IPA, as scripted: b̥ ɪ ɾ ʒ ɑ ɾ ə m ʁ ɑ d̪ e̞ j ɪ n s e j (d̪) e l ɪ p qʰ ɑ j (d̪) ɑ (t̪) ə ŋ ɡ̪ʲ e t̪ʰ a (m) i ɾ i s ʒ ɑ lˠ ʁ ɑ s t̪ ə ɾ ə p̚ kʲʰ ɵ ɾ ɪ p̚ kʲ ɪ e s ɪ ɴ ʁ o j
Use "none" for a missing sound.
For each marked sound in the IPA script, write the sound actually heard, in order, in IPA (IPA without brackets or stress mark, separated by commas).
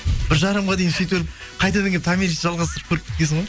t̪, t̪, d̪, m